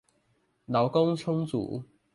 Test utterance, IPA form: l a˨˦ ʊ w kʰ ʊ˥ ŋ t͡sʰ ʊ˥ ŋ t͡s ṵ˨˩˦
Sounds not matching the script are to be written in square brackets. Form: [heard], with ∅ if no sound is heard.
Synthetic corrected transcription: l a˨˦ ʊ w [k] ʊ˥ ŋ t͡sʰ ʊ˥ ŋ t͡s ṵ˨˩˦

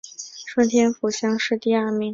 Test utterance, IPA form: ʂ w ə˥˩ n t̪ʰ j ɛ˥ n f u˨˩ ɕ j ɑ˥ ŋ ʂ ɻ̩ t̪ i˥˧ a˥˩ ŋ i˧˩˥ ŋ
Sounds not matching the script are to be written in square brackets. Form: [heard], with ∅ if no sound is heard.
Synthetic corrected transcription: ʂ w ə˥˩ n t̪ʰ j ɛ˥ n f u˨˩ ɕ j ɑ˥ ŋ ʂ ɻ̩ t̪ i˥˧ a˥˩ [m] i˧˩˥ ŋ

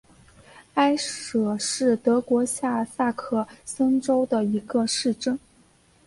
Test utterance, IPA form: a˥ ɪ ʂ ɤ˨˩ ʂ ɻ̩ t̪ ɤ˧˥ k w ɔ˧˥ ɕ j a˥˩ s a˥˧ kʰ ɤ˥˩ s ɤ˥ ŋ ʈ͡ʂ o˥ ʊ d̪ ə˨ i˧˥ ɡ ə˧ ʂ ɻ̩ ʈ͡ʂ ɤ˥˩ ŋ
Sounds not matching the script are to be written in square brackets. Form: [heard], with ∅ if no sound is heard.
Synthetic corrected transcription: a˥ ɪ ʂ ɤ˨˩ ʂ ɻ̩ t̪ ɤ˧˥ k w ɔ˧˥ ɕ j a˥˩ s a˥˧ kʰ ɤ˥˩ s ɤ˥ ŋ ʈ͡ʂ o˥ ʊ d̪ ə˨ i˧˥ ɡ ə˧ ʂ ɻ̩ ʈ͡ʂ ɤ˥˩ ŋ

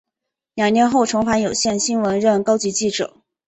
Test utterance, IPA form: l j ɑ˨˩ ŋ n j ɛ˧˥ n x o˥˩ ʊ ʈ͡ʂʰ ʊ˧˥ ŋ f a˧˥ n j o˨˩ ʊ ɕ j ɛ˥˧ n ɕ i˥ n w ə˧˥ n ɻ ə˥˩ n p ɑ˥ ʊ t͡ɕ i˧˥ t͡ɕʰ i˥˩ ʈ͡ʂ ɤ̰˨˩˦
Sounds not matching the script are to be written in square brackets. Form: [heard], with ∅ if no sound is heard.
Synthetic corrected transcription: l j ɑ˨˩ ŋ n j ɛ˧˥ n x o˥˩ ʊ ʈ͡ʂʰ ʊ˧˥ ŋ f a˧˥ n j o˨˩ ʊ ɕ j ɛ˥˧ n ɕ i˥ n w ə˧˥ n ɻ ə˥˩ n [k] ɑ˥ ʊ t͡ɕ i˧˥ [t͡ɕ] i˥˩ ʈ͡ʂ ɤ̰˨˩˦

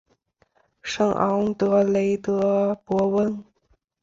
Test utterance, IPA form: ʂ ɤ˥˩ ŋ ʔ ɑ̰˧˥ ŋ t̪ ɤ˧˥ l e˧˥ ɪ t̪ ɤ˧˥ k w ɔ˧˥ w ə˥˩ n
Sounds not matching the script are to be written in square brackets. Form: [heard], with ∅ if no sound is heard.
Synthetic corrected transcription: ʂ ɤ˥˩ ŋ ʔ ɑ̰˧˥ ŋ t̪ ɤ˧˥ l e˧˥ ɪ t̪ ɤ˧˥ [p] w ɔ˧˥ w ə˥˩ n

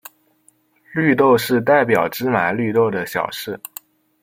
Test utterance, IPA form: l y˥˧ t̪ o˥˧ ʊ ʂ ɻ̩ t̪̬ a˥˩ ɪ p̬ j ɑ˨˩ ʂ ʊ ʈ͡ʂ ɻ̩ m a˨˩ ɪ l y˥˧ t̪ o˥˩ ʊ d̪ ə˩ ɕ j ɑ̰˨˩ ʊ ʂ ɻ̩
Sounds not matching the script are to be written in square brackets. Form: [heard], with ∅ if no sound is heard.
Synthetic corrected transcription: l y˥˧ t̪ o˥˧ ʊ ʂ ɻ̩ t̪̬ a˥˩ ɪ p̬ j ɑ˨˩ [∅] ʊ ʈ͡ʂ ɻ̩ m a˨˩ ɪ l y˥˧ t̪ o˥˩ ʊ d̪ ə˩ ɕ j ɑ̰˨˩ ʊ ʂ ɻ̩

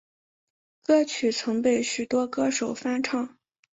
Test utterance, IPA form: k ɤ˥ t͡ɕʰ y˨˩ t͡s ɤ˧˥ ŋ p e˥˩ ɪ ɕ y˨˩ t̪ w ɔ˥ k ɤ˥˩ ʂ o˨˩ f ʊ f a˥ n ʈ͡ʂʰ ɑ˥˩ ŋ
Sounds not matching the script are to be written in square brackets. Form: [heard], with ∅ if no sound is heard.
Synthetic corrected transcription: k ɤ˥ t͡ɕʰ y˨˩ [t͡sʰ] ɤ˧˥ ŋ p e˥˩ ɪ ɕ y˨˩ t̪ w ɔ˥ k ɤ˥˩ ʂ o˨˩ [∅] ʊ f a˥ n ʈ͡ʂʰ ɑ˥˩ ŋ

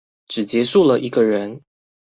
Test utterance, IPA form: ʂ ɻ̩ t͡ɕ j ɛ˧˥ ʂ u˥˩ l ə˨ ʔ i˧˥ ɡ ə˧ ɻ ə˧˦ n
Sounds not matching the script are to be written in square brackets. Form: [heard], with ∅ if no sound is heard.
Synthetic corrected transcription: [ʈ͡ʂ] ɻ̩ t͡ɕ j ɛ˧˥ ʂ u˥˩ l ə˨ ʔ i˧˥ ɡ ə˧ ɻ ə˧˦ n

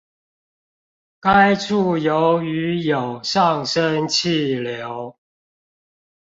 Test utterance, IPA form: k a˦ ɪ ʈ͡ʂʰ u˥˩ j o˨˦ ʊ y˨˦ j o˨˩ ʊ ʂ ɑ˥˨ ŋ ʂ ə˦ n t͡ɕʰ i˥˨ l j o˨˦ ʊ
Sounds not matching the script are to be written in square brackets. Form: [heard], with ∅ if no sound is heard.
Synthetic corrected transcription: k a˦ ɪ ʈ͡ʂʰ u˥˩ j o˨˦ ʊ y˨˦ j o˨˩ ʊ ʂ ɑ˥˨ ŋ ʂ ə˦ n t͡ɕʰ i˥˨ l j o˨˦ ʊ

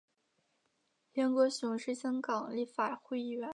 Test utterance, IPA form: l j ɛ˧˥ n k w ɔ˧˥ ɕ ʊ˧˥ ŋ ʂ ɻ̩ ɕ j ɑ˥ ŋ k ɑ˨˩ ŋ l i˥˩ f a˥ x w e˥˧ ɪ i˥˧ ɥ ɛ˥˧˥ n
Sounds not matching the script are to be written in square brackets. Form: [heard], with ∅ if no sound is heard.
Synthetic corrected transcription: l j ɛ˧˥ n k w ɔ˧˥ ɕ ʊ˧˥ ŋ ʂ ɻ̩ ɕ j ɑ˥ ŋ k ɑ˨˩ ŋ l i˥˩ f [a˨˩] x w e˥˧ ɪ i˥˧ ɥ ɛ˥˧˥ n

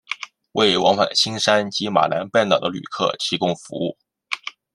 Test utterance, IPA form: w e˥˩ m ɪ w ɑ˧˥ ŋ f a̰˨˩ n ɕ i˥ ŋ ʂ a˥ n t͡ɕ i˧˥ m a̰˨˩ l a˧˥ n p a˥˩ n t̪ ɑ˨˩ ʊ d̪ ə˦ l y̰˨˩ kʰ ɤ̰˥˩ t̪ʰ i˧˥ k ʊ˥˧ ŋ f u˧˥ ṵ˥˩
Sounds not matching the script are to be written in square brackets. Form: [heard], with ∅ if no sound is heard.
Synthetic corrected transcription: w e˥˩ [∅] ɪ w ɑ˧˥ ŋ f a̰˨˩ n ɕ i˥ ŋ ʂ a˥ n t͡ɕ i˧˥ m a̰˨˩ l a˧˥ n p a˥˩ n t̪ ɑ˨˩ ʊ d̪ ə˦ l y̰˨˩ kʰ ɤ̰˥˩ t̪ʰ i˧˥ k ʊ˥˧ ŋ f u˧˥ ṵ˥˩

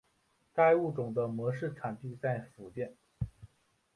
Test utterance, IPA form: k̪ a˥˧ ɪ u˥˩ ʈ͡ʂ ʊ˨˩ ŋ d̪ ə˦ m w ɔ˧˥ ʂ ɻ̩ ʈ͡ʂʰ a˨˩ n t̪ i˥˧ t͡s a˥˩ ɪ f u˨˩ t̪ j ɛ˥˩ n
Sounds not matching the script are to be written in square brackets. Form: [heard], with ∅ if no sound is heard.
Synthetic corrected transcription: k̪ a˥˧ ɪ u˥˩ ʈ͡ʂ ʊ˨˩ ŋ d̪ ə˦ m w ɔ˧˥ ʂ ɻ̩ ʈ͡ʂʰ a˨˩ n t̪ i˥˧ t͡s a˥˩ ɪ f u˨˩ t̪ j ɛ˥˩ n

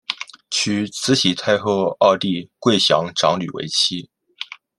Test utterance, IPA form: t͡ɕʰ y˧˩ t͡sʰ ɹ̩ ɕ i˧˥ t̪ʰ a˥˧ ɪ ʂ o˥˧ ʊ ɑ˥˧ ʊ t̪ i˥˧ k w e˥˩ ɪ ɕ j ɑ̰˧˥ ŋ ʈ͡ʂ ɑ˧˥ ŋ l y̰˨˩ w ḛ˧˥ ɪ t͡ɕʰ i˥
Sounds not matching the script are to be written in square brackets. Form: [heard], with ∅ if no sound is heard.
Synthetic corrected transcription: t͡ɕʰ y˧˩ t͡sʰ ɹ̩ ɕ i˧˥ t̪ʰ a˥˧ ɪ [x] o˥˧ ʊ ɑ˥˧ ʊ t̪ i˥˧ k w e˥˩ ɪ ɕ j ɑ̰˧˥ ŋ ʈ͡ʂ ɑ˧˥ ŋ l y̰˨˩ w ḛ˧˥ ɪ t͡ɕʰ i˥

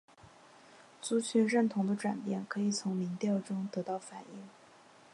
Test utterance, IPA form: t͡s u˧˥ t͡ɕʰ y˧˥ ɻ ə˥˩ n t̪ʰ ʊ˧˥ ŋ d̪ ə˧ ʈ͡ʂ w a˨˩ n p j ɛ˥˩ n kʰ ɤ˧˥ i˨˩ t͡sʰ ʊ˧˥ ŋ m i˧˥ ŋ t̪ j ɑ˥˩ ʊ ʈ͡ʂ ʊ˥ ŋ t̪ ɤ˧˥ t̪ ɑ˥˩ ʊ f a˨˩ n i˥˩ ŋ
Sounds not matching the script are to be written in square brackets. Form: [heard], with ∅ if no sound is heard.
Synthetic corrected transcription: t͡s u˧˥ t͡ɕʰ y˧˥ ɻ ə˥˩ n t̪ʰ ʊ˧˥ ŋ d̪ ə˧ ʈ͡ʂ w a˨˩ n p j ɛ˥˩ n kʰ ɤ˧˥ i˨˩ t͡sʰ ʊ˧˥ ŋ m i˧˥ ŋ t̪ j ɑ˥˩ ʊ ʈ͡ʂ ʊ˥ ŋ t̪ ɤ˧˥ t̪ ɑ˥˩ ʊ f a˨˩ n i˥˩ ŋ

